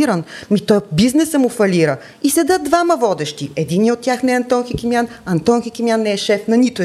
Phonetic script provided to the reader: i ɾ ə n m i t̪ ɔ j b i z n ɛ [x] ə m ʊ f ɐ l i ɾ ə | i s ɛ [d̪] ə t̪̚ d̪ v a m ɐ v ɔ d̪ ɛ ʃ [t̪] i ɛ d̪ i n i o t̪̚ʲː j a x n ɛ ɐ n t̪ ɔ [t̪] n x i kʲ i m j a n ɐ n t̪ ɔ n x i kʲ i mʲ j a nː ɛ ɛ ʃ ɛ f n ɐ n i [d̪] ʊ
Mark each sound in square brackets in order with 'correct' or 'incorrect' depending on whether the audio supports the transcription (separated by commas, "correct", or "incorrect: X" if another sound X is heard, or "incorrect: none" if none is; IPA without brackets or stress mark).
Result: incorrect: s, correct, correct, incorrect: none, incorrect: t̪